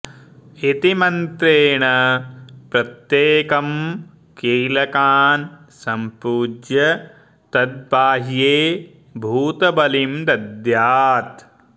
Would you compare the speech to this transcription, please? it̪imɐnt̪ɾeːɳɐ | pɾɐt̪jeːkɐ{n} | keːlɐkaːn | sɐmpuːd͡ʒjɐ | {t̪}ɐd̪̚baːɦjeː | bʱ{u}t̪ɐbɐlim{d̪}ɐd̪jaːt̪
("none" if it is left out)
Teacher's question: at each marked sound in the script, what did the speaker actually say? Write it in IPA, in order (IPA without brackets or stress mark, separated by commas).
m, t̪, uː, d̪